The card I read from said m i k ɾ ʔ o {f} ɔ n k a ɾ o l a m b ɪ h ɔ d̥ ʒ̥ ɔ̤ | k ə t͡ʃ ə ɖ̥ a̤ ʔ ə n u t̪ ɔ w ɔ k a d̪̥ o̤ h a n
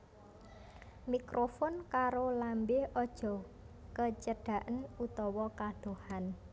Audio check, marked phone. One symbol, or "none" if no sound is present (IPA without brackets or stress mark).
f